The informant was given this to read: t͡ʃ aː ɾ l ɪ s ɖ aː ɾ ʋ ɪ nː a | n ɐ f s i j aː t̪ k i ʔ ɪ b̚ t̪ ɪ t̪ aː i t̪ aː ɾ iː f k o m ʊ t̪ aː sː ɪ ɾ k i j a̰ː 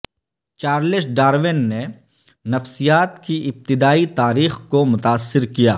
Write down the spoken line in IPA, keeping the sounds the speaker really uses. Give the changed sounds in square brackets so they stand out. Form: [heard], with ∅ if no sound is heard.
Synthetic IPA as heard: t͡ʃ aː ɾ l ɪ s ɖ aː ɾ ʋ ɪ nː [e] | n ɐ f s i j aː t̪ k i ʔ ɪ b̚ t̪ ɪ [d̪] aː i t̪ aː ɾ iː [x] k o m ʊ t̪ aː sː ɪ ɾ k i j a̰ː

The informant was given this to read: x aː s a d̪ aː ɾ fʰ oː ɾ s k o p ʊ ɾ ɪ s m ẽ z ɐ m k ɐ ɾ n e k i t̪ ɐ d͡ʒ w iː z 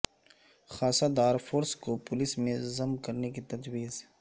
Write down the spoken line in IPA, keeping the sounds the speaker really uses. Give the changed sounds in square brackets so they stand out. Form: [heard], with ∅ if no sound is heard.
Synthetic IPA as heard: x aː s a d̪ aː ɾ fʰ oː ɾ s k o p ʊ [l] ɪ s m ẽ z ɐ m k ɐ ɾ n e k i t̪ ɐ d͡ʒ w iː z

